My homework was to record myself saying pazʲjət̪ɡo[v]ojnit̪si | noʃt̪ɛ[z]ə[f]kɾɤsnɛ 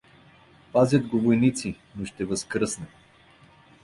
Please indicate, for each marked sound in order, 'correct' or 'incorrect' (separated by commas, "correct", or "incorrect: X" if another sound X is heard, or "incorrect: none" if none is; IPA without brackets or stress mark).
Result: correct, incorrect: v, incorrect: s